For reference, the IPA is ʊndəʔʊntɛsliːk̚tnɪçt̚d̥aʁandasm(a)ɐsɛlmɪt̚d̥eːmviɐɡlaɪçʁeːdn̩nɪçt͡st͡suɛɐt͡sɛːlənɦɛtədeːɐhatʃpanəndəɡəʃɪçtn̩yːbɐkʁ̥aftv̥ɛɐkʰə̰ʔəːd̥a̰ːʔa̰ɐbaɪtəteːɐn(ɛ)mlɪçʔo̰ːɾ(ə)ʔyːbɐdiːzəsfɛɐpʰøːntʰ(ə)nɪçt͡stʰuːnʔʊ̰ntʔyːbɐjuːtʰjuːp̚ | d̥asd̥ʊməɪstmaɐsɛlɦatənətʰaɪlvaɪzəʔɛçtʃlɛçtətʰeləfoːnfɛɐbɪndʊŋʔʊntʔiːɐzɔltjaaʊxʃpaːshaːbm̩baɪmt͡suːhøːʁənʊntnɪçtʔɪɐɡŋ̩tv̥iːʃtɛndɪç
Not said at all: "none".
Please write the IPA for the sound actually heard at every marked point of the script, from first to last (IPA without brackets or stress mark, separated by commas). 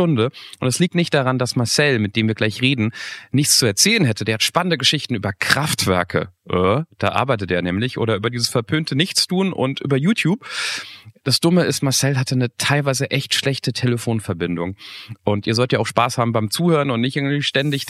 a, ɛː, ɐ, ə